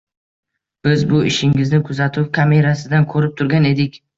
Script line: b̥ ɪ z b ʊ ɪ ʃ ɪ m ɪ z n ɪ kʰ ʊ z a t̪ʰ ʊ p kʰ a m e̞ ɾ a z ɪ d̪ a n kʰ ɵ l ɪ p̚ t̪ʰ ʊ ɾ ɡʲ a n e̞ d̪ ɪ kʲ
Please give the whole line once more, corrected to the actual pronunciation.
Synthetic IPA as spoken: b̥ ɪ z b ʊ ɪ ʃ ɪ ŋ ɪ z n ɪ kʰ ʊ z a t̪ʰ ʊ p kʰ a m e̞ ɾ a s ɪ d̪ a n kʰ ɵ ɾ ɪ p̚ t̪ʰ ʊ ɾ ɡʲ a n e̞ d̪ ɪ kʲ

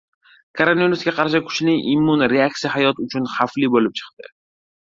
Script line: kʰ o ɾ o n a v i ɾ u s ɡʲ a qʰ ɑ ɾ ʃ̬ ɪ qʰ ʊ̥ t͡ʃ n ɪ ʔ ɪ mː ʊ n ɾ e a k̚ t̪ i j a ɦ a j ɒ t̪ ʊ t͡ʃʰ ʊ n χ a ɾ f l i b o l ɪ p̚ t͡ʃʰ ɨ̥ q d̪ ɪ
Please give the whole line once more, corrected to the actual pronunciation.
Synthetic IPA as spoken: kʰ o ɾ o n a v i ɾ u s ɡʲ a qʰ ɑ ɾ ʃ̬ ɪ kʰ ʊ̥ t͡ʃ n ɪ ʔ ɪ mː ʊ n ɾ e a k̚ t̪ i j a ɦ a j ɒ t̪ ʊ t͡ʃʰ ʊ n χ a f l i b o l ɪ p̚ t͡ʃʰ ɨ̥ q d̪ ɪ

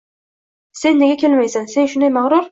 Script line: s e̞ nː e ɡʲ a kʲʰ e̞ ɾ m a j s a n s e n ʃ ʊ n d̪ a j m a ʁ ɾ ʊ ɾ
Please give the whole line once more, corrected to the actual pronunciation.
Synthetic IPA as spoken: s e̞ nː e ɡʲ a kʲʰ e̞ l m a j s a n s e n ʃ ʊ n d̪ a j m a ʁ ɾ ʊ ɾ

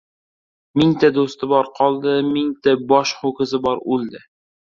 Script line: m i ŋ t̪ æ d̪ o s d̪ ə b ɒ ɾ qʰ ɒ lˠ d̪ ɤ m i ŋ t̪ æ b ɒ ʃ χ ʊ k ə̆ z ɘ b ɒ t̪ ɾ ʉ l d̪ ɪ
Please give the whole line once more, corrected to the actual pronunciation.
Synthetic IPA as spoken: m i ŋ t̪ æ d̪ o s t̪ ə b ɒ ɾ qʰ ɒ lˠ d̪ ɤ m i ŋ t̪ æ b ɒ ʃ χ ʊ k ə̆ z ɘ b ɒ ɾ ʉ l d̪ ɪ

